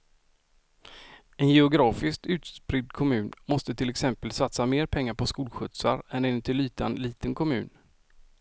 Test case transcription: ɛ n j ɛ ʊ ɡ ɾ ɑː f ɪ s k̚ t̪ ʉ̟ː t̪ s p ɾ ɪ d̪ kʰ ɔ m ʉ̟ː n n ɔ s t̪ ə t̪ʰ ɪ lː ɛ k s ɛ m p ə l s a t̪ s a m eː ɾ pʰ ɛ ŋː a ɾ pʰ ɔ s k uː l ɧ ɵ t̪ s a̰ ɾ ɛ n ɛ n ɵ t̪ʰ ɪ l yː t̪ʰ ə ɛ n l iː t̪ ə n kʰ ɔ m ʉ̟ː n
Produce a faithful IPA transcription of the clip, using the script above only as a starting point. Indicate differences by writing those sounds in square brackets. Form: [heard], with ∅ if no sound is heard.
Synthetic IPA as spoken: ɛ n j ɛ ʊ ɡ ɾ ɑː f ɪ s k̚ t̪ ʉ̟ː t̪ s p ɾ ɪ d̪ kʰ ɔ m ʉ̟ː n [m] ɔ s t̪ ə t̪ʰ ɪ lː ɛ k s ɛ m p ə l s a t̪ s a m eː ɾ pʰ ɛ ŋː a ɾ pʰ ɔ s k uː l ɧ ɵ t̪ s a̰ ɾ ɛ n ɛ n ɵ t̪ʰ ɪ l yː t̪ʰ [a] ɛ n l iː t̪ ə n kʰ ɔ m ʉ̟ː n

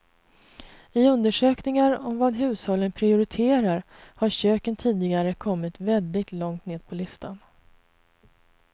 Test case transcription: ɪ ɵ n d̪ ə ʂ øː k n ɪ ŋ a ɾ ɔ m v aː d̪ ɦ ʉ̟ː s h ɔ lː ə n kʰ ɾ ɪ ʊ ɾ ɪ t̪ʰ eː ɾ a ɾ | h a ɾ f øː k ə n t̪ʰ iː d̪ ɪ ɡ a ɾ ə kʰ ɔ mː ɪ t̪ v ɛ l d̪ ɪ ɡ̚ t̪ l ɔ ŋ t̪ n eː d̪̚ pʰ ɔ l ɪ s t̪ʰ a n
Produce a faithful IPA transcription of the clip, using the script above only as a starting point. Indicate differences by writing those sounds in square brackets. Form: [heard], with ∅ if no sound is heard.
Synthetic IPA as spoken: ɪ ɵ n d̪ ə ʂ øː k n ɪ ŋ a ɾ ɔ m v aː d̪ ɦ ʉ̟ː s h ɔ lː ə n [pʰ] ɾ ɪ ʊ ɾ ɪ t̪ʰ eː ɾ a ɾ | h a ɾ [ɕ] øː k ə n t̪ʰ iː d̪ ɪ ɡ a ɾ ə kʰ ɔ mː ɪ t̪ v ɛ l d̪ ɪ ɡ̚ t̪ l ɔ ŋ t̪ n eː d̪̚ pʰ ɔ l ɪ s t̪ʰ a n

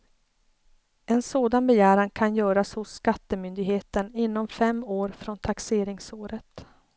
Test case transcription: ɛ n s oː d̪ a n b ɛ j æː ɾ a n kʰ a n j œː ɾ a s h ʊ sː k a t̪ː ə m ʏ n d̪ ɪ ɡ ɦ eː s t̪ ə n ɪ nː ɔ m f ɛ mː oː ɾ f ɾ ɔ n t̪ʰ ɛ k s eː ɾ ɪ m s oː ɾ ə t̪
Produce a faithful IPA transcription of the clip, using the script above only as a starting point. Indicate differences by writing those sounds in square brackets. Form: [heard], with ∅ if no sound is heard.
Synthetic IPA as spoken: ɛ n s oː d̪ a n b ɛ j æː ɾ a n kʰ a n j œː ɾ a s h ʊ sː k a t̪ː ə m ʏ n d̪ ɪ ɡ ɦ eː [∅] t̪ ə n ɪ nː ɔ m f ɛ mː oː ɾ f ɾ ɔ n t̪ʰ [a] k s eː ɾ ɪ [ŋ] s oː ɾ ə t̪

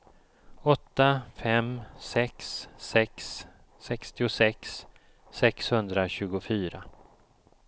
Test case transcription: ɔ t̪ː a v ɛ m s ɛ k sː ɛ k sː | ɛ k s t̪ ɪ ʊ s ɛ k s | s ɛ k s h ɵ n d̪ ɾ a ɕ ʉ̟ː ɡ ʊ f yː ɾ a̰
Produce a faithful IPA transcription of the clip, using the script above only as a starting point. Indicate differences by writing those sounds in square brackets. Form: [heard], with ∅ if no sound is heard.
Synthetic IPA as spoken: ɔ t̪ː a [f] ɛ m s ɛ k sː ɛ k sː | ɛ k s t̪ ɪ ʊ s ɛ k s | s ɛ k s h ɵ n d̪ ɾ a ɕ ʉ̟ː ɡ ʊ f yː ɾ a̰

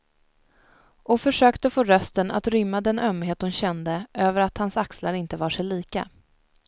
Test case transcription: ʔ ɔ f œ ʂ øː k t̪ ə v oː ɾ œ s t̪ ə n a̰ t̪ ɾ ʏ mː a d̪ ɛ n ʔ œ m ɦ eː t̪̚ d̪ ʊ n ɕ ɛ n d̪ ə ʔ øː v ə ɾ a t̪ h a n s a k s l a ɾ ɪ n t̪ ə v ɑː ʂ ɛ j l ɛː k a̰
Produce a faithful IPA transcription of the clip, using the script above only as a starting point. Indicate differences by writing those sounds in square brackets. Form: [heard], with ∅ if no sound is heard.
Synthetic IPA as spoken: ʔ ɔ f œ ʂ øː k t̪ ə [f] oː ɾ œ s t̪ ə n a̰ t̪ ɾ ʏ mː a d̪ ɛ n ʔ œ m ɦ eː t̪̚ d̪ ʊ n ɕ ɛ n d̪ ə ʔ øː v ə ɾ a t̪ h a n s a k s l a ɾ ɪ n t̪ ə v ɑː ʂ ɛ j l [iː] k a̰

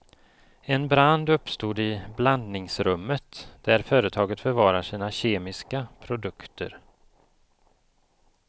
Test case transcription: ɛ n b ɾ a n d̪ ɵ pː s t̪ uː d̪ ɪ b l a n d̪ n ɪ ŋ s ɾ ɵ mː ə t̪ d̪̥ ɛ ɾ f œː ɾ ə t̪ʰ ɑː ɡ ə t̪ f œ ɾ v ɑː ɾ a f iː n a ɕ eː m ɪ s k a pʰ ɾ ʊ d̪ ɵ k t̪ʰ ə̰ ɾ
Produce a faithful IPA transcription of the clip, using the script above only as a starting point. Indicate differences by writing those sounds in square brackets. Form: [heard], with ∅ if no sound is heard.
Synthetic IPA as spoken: ɛ n b ɾ a n d̪ ɵ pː s t̪ uː d̪ ɪ b l a n d̪ n ɪ ŋ s ɾ ɵ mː ə t̪ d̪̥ [æ] ɾ f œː ɾ ə t̪ʰ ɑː ɡ ə t̪ f œ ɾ v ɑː ɾ a [ʂ] iː n a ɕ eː m ɪ s k a pʰ ɾ ʊ d̪ ɵ k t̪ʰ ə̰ ɾ

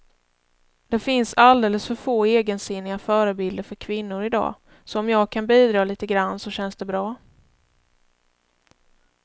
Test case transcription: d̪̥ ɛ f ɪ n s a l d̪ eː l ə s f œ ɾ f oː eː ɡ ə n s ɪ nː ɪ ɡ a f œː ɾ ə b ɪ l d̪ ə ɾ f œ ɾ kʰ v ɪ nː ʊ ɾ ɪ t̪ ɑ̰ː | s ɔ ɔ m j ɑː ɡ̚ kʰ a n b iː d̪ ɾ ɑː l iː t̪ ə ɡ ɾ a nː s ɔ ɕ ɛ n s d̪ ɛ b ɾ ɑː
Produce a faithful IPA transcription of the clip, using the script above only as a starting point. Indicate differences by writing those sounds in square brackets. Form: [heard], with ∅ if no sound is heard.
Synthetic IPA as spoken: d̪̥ ɛ f ɪ n s a l d̪ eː l ə s f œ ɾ f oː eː ɡ ə n s ɪ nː ɪ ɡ a f œː ɾ ə b ɪ l d̪ ə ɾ f œ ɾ kʰ v ɪ nː ʊ ɾ ɪ [d̪] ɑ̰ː | s ɔ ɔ m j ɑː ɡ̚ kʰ a n b iː d̪ ɾ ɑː l iː t̪ ə ɡ ɾ a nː s ɔ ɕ ɛ n s d̪ ɛ b ɾ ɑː

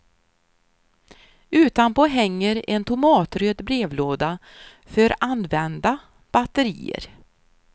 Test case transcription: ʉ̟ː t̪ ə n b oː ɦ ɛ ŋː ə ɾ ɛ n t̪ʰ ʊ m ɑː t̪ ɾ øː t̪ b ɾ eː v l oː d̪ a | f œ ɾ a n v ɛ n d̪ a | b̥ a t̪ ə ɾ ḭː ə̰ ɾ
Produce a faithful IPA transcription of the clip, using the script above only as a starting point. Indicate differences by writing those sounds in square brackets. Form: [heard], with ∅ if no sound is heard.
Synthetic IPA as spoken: ʉ̟ː t̪ [a] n [p] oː ɦ ɛ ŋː ə ɾ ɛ n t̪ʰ ʊ m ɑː t̪ ɾ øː [d̪] b ɾ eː v l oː d̪ a | f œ ɾ a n v ɛ n d̪ a | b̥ a t̪ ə ɾ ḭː ə̰ ɾ

